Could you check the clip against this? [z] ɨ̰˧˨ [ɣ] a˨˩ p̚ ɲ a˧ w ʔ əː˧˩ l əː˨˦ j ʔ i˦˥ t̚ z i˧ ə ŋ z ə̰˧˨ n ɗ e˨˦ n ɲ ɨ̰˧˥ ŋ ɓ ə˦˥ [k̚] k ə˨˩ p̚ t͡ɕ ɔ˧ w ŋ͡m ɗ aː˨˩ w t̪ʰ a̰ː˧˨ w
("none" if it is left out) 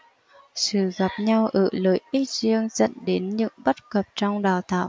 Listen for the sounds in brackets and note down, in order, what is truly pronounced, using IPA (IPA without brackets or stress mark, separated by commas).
s, ɣ, t̚